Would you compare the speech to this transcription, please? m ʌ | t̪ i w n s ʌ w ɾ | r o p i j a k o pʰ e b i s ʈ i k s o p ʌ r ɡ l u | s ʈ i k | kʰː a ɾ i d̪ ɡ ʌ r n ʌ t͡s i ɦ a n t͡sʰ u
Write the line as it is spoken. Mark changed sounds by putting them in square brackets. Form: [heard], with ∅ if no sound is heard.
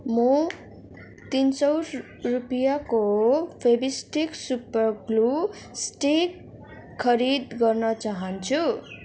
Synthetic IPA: m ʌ | t̪ i [∅] n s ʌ w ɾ | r [u] p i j a k o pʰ e b i s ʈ i k s [u] p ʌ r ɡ l u | s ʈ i k | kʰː [ʌ] ɾ i d̪ ɡ ʌ r n ʌ t͡s [a] ɦ [ʌ] n t͡sʰ u

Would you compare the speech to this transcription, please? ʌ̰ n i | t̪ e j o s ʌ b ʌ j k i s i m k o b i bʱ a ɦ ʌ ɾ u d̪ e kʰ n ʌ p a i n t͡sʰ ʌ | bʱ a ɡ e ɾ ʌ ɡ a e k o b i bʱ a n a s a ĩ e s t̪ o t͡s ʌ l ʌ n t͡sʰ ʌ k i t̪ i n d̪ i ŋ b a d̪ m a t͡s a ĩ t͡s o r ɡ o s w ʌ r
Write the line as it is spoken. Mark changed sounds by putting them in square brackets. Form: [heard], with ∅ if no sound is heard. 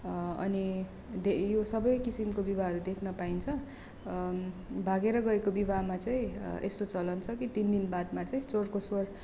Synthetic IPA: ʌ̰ n i | [d̪] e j o s ʌ b ʌ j k i s i m k o b i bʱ a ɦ ʌ ɾ u d̪ e kʰ n ʌ p a i n t͡sʰ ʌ | bʱ a ɡ e ɾ ʌ ɡ [ʌ] e k o b i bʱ a [m] a [t͡s] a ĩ e s t̪ o t͡s ʌ l ʌ n t͡sʰ ʌ k i t̪ i n d̪ i [n] b a d̪ m a t͡s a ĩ t͡s o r [k] o s w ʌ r

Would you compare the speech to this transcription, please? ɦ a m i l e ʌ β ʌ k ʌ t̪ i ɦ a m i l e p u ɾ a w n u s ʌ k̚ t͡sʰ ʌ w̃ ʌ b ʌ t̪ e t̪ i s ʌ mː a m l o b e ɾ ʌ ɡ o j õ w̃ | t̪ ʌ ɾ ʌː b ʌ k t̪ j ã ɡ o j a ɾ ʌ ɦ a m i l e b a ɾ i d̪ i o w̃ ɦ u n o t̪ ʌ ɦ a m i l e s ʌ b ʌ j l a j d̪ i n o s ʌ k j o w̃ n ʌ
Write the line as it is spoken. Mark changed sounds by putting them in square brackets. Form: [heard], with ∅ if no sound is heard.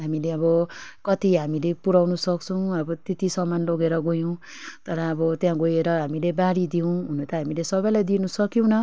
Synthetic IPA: ɦ a m i l e ʌ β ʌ k ʌ t̪ i ɦ a m i l e p u ɾ a w n u s ʌ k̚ t͡sʰ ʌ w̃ ʌ b ʌ t̪ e t̪ i s ʌ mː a [n] l o [ɡ] e ɾ ʌ ɡ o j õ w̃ | t̪ ʌ ɾ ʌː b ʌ [∅] t̪ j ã ɡ o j [e] ɾ ʌ ɦ a m i l e b a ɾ i d̪ i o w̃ ɦ u n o t̪ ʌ ɦ a m i l e s ʌ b ʌ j l a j d̪ i n [u] s ʌ k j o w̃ n ʌ

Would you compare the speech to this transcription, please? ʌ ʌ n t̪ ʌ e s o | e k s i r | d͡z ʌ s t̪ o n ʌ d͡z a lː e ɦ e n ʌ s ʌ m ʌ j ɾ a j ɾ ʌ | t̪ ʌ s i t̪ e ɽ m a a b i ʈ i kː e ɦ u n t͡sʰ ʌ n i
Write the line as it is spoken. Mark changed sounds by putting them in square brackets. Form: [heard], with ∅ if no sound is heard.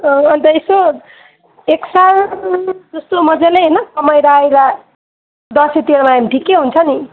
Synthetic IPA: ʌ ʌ n t̪ ʌ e s o | e k s [a] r | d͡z ʌ s t̪ o [m] ʌ d͡z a [l] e ɦ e n ʌ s ʌ m ʌ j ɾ a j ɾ [a] | [d̪] ʌ s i t̪ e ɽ m a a [m] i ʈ i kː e ɦ u n t͡sʰ ʌ n i

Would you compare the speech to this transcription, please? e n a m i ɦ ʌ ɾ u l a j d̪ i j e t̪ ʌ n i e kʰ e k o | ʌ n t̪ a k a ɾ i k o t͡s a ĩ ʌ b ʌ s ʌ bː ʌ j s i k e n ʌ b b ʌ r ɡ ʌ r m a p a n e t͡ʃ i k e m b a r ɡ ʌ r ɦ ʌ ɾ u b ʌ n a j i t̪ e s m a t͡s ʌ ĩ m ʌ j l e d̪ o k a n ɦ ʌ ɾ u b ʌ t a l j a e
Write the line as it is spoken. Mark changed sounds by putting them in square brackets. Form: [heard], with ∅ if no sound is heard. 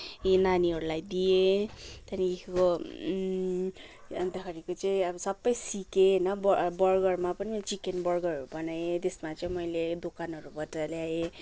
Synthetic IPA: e n a [n] i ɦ ʌ ɾ u l a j d̪ i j e t̪ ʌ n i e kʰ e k o | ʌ n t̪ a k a ɾ i k o t͡s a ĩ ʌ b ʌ s ʌ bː ʌ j s i k e n ʌ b b ʌ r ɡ ʌ r m a p [ʌ] n [i] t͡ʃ i k e [n] b [ʌ] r ɡ ʌ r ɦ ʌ ɾ u b ʌ n a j [e] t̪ e s m a t͡s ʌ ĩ m ʌ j l e d̪ o k a n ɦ ʌ ɾ u b ʌ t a l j a e

